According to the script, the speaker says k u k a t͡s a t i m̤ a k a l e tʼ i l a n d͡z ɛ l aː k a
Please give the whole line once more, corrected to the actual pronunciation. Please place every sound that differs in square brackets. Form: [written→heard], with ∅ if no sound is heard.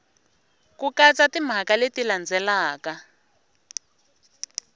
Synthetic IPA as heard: k u k a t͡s a t i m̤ a k a l e [tʼ→t] i l a n d͡z ɛ l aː k a